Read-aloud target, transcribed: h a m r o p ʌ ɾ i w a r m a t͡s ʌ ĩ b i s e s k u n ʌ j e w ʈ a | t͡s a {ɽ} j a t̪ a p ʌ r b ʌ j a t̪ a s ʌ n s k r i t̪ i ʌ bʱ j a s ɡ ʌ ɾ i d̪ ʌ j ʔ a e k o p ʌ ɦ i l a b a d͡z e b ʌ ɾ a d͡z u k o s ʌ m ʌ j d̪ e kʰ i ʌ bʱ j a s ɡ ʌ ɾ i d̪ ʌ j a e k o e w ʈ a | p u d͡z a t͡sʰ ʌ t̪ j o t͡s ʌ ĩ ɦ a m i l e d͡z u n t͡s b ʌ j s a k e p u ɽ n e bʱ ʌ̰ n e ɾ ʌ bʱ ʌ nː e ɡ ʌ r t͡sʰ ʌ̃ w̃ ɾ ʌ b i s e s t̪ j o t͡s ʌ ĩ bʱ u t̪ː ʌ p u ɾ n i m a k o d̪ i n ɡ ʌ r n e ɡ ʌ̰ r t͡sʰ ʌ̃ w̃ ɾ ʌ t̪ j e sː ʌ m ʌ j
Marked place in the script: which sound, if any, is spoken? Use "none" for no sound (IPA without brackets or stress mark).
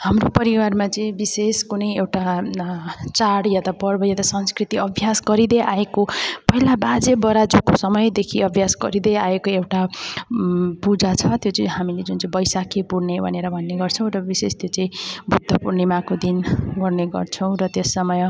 ɽ